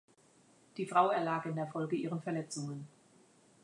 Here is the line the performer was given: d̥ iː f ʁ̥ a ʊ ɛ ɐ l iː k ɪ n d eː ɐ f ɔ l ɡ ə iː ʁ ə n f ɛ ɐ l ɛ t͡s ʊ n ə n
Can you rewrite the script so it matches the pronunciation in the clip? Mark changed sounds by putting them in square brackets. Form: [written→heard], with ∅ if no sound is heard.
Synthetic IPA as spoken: d̥ iː f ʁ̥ a ʊ ɛ ɐ l [iː→aː] k ɪ n d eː ɐ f ɔ l ɡ ə iː ʁ ə n f ɛ ɐ l ɛ t͡s ʊ [n→ŋ] ə n